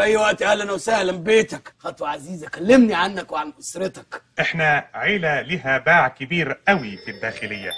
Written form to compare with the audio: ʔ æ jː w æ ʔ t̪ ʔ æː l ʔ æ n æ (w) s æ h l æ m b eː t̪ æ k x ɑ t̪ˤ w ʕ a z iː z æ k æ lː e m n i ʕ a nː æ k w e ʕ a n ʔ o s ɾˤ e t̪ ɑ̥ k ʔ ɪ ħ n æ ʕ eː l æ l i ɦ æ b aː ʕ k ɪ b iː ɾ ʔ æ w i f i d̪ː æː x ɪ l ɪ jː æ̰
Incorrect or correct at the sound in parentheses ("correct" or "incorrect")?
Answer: correct